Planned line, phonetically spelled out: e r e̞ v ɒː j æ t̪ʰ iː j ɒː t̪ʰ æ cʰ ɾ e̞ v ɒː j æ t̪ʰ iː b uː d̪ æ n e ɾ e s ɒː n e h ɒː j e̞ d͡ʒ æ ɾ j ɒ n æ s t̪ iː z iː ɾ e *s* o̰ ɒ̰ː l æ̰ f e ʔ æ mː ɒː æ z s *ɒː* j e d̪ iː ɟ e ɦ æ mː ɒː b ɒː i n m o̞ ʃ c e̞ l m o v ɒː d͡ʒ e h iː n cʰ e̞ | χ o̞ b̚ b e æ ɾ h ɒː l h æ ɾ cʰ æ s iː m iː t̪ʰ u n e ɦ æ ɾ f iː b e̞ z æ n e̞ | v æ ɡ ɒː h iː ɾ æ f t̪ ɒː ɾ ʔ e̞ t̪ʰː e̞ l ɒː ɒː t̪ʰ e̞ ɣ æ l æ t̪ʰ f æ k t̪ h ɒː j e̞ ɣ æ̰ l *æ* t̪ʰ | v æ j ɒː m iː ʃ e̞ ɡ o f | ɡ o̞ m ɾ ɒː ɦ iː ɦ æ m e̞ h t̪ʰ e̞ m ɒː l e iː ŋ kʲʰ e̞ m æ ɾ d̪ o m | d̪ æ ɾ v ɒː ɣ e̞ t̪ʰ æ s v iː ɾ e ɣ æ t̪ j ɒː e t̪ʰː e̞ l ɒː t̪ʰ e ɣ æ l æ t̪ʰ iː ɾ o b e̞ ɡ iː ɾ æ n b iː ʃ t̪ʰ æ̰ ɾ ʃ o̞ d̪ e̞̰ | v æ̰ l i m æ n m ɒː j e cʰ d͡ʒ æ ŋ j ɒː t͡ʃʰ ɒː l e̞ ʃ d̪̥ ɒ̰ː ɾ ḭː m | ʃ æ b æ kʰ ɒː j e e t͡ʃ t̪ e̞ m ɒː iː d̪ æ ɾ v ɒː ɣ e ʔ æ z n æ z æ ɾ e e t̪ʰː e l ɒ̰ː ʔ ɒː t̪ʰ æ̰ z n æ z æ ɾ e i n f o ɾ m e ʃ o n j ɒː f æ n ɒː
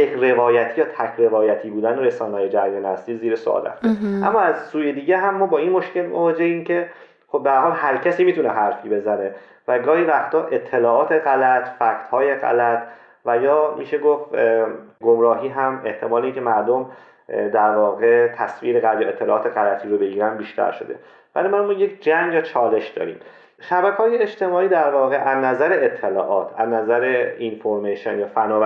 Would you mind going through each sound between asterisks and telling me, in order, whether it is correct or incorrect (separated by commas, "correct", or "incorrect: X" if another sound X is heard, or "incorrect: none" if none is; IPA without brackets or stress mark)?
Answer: correct, incorrect: uː, correct